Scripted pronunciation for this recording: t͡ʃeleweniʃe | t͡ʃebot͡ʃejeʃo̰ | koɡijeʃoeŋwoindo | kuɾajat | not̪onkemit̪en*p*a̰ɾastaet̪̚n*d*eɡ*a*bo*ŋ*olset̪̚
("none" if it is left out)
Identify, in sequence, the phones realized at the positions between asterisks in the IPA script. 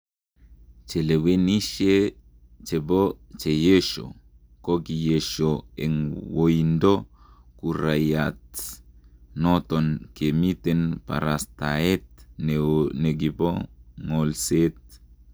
p, n, i, ŋ

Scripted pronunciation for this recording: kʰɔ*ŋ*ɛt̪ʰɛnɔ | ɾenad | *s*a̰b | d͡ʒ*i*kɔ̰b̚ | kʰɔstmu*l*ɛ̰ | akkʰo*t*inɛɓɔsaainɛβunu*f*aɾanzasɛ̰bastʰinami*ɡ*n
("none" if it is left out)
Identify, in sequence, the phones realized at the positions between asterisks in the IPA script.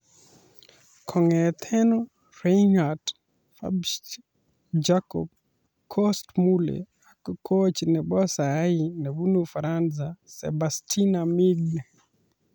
ŋ, f, a, l, t͡ʃ, f, ɡ

